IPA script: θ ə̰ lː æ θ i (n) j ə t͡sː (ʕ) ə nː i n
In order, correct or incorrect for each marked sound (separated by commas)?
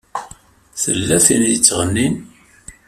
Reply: correct, incorrect